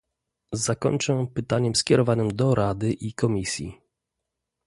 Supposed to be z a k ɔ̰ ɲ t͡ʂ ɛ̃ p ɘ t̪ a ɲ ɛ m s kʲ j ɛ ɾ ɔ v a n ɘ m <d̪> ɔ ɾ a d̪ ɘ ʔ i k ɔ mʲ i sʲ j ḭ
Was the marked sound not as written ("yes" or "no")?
no